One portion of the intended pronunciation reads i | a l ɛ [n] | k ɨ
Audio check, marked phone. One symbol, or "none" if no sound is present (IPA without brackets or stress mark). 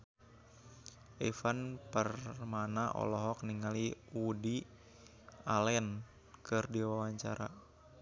n